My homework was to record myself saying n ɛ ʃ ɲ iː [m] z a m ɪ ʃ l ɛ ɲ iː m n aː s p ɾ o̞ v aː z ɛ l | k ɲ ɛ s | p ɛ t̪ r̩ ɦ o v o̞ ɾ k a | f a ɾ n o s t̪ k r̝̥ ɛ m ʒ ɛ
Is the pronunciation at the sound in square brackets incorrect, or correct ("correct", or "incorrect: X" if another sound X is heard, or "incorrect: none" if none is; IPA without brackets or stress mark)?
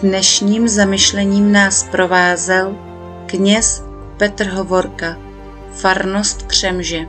correct